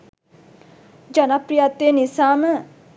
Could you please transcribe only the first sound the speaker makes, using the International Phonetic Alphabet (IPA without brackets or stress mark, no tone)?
d͡ʒ